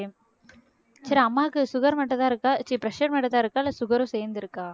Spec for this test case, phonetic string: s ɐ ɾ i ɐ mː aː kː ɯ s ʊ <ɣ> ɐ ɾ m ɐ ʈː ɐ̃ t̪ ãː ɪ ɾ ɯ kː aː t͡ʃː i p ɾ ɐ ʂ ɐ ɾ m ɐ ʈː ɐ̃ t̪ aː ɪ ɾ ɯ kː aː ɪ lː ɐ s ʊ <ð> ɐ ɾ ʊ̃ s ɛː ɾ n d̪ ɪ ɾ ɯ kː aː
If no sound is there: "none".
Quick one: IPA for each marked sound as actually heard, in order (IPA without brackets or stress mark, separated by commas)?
ɣ, ɣ